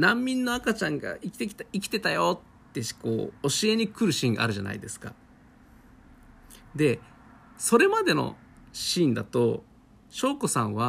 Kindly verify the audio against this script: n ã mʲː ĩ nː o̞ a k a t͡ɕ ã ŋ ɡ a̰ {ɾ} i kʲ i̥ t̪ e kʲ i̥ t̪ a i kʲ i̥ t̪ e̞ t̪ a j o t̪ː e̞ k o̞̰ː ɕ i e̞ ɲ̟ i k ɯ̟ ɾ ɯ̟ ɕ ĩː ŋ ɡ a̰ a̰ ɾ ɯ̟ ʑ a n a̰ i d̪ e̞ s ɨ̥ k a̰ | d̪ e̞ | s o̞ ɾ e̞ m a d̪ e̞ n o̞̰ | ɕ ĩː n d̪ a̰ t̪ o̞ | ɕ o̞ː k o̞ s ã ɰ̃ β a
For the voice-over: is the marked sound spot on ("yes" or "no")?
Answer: no